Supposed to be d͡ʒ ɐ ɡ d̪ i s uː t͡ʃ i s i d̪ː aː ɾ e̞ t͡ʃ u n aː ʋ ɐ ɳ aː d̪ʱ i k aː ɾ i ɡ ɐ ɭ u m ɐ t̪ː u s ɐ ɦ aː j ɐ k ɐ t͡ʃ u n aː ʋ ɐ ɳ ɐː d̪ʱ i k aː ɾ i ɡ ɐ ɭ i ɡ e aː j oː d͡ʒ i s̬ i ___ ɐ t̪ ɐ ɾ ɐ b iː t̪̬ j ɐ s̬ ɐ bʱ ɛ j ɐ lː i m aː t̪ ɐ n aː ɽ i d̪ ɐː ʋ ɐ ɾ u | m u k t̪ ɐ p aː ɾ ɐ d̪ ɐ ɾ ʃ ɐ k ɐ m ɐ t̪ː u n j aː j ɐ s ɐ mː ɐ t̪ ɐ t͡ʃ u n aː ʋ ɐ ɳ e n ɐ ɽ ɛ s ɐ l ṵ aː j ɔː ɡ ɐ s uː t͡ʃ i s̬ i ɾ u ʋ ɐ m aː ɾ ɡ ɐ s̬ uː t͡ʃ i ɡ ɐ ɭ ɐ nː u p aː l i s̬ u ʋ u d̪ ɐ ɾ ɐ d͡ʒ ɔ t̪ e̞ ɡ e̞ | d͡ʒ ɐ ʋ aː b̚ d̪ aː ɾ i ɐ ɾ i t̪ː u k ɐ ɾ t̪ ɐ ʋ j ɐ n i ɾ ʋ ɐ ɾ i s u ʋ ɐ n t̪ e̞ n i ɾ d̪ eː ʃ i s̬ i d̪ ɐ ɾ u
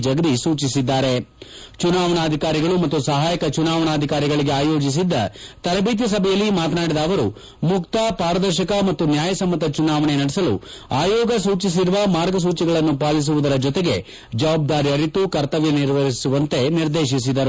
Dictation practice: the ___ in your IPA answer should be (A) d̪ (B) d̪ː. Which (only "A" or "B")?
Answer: B